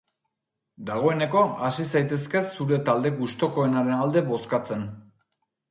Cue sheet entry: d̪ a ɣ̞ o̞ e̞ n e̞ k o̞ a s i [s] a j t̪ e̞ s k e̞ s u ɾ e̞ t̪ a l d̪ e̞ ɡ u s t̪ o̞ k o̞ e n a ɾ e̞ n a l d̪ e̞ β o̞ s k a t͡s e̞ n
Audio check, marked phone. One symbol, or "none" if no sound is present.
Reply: s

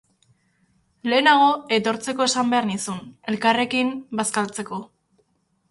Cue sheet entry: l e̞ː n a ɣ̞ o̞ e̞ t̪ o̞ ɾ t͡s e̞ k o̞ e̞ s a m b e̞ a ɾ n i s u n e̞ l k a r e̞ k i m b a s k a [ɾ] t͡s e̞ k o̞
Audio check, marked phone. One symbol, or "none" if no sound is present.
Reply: l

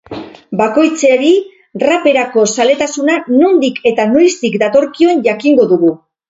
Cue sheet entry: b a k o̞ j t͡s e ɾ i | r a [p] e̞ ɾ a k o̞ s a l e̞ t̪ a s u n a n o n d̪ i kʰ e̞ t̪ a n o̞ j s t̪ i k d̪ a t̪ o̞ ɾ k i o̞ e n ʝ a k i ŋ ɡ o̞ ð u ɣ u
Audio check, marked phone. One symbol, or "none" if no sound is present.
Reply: p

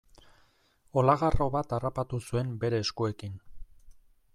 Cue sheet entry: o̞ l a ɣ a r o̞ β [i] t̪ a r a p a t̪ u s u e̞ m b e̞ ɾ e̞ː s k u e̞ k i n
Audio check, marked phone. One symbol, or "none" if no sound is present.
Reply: a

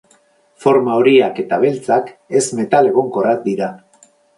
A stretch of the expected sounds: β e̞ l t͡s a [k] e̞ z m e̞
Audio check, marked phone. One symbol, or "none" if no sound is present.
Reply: k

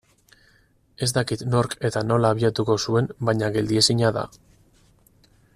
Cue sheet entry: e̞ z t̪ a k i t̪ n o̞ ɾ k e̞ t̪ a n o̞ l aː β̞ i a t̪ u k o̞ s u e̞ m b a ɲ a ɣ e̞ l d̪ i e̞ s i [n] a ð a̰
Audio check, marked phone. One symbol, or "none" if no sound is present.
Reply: ɲ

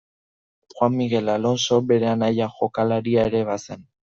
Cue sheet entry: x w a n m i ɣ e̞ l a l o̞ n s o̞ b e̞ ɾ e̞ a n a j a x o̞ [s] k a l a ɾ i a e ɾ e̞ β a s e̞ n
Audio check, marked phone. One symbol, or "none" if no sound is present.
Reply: none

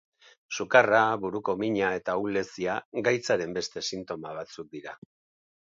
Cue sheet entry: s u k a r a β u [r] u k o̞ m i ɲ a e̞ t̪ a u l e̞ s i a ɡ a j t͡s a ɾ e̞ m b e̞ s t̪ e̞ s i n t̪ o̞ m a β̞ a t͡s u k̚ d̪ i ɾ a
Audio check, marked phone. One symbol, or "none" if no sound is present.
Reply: ɾ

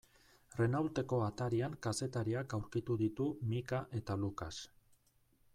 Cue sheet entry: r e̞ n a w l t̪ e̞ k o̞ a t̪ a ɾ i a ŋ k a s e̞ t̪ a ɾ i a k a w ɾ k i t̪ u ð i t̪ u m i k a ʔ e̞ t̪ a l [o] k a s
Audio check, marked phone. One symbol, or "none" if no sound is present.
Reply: u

